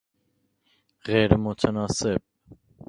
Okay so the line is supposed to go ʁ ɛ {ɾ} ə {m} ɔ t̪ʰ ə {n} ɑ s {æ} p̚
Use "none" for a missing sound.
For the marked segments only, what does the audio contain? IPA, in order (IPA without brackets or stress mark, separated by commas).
ɾ, m, n, ɛ